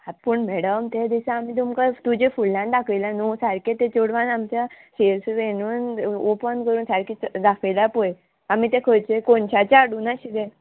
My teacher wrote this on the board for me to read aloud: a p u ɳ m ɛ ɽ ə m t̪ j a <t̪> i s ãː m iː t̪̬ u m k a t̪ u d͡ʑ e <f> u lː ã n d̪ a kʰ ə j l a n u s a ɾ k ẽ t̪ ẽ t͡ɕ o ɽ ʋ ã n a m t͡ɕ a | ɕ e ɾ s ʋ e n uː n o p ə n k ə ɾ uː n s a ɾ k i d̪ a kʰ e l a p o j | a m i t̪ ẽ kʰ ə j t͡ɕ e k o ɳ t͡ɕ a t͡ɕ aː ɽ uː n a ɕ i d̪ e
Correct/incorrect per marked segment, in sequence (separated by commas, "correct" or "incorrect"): incorrect, correct